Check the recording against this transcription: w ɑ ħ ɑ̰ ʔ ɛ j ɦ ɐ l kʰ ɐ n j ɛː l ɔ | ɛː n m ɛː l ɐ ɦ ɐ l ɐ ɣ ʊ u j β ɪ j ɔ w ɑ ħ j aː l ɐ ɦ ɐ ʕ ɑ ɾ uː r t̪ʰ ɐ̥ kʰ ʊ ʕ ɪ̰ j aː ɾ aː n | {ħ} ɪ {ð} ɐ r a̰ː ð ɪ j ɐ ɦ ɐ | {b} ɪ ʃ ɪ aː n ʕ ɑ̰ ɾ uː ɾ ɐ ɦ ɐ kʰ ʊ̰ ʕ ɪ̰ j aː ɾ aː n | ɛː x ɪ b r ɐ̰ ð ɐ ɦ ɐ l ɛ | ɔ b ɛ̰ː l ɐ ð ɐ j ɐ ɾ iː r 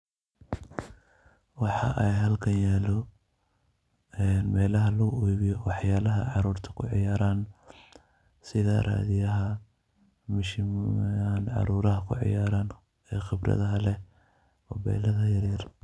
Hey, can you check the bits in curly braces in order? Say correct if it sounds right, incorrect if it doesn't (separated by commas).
incorrect, correct, incorrect